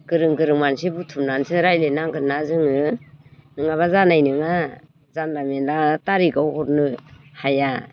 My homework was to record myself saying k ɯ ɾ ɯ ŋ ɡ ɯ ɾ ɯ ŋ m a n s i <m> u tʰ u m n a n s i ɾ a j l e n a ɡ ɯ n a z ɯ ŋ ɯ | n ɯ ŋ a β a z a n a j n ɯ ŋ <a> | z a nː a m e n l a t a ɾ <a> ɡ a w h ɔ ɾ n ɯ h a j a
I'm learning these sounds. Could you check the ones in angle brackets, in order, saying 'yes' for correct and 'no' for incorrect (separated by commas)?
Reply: no, yes, no